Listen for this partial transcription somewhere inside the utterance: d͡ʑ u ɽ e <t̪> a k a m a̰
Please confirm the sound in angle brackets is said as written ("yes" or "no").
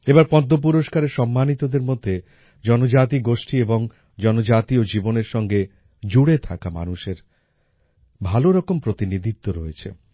no